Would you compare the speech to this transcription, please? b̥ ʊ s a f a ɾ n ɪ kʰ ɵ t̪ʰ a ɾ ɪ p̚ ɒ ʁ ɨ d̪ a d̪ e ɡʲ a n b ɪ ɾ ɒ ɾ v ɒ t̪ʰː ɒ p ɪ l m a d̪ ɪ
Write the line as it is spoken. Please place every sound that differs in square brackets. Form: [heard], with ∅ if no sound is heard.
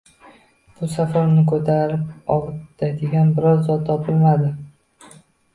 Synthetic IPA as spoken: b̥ ʊ s a f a ɾ n ɪ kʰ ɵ t̪ʰ a ɾ ɪ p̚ ɒ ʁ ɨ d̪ a d̪ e ɡʲ a n b ɪ ɾ ɒ ɾ [z] ɒ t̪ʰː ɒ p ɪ l m a d̪ ɪ